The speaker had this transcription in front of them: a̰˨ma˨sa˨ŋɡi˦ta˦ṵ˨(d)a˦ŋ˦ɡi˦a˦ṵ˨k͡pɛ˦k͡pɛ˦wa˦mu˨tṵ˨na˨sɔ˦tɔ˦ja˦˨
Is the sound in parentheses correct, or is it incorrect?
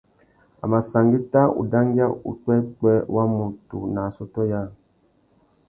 correct